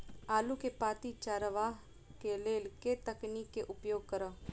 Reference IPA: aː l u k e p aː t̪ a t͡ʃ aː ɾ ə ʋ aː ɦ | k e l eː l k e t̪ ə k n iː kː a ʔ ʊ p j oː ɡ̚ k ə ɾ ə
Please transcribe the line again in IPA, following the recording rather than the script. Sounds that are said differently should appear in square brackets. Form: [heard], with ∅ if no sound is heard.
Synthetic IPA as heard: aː l u k e p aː t̪ [i] t͡ʃ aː ɾ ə ʋ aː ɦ | k e l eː l k e t̪ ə k n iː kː [e] ʔ ʊ p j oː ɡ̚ k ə ɾ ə